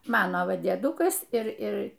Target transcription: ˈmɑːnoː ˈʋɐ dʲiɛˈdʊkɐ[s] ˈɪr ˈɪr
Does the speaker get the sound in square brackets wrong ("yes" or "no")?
no